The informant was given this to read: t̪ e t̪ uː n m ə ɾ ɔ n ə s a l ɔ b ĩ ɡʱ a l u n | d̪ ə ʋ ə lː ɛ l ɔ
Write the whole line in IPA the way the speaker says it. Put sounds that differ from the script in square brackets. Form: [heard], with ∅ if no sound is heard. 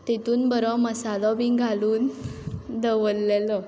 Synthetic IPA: t̪ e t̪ uː n [b] ə ɾ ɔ [m] ə s a l ɔ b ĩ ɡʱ a l [uː] n | d̪ ə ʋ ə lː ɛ l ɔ